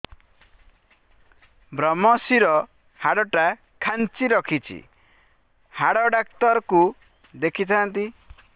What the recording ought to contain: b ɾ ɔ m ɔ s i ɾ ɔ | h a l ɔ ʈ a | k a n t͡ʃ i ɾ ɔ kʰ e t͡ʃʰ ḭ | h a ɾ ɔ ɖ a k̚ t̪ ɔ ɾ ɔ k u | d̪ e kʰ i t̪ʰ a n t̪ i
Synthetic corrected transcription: b ɾ ɔ m ɔ s i ɾ ɔ | h a ɽ ɔ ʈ a | kʰ a n t͡ʃ i ɾ ɔ kʰ i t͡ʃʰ ḭ | h a ɽ ɔ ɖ a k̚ t̪ ɔ ɾ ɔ k u | d̪ e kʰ i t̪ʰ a n t̪ i